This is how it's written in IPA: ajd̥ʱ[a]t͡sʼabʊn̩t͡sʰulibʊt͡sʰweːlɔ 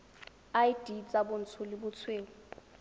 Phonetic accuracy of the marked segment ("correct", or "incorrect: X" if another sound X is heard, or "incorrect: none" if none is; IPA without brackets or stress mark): incorrect: i